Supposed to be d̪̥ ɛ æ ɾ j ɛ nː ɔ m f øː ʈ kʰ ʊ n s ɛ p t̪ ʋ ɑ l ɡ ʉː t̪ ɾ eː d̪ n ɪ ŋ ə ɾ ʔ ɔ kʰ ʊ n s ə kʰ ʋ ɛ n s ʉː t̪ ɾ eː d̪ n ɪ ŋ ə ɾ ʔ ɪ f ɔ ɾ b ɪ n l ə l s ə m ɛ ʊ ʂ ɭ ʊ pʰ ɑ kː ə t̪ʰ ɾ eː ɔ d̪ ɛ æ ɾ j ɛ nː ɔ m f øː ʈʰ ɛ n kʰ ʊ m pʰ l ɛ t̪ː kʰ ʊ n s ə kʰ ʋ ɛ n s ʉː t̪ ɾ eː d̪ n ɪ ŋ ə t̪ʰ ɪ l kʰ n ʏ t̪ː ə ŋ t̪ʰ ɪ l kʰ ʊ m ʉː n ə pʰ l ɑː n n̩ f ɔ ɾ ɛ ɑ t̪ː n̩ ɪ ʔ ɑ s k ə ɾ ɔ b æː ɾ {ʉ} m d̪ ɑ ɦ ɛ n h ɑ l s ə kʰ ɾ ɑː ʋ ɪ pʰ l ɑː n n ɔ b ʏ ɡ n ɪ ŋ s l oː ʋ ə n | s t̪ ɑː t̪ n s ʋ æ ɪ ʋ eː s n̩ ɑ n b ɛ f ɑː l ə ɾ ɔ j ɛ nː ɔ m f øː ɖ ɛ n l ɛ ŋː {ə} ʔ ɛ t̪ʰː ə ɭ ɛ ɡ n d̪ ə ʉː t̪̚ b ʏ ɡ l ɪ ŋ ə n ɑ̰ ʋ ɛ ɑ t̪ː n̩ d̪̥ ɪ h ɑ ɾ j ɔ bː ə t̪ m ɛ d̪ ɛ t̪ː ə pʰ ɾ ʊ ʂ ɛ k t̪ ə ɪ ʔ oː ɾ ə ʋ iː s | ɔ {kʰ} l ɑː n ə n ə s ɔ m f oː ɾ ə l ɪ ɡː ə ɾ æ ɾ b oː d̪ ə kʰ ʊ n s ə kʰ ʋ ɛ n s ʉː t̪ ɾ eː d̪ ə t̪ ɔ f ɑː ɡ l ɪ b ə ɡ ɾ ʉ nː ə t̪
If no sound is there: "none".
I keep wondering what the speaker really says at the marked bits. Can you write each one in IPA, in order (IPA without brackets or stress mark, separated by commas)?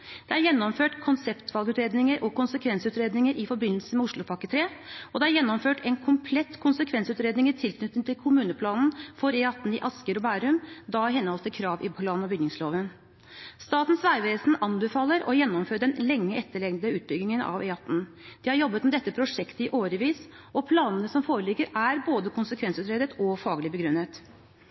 ʉ, ə, pʰ